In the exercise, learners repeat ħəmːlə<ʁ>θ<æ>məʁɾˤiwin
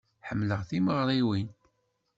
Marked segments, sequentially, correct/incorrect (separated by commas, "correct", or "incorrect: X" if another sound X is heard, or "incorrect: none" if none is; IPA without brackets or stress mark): correct, incorrect: i